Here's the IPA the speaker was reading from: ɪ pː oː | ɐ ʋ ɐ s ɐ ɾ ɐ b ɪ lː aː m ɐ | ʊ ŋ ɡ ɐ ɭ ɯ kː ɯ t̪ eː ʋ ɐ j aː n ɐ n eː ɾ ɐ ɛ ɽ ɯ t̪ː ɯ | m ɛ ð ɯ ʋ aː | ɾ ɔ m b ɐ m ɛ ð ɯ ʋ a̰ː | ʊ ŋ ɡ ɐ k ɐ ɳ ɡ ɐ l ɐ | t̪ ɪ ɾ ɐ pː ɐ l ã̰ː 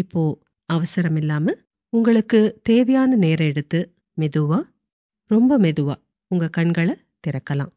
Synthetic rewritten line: ɪ pː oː | ɐ ʋ ɐ s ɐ ɾ ɐ m ɪ lː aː m ɐ | ʊ ŋ ɡ ɐ ɭ ɯ kː ɯ t̪ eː ʋ ɐ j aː n ɐ n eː ɾ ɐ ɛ ɽ ɯ t̪ː ɯ | m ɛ ð ɯ ʋ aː | ɾ ɔ m b ɐ m ɛ ð ɯ ʋ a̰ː | ʊ ŋ ɡ ɐ k ɐ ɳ ɡ ɐ ɭ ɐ | t̪ ɪ ɾ ɐ kː ɐ l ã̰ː